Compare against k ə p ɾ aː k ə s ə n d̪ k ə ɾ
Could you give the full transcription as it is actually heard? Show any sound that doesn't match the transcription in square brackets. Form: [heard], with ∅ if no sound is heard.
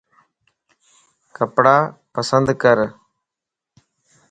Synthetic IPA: k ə p [ɽ] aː [p] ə s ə n d̪ k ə ɾ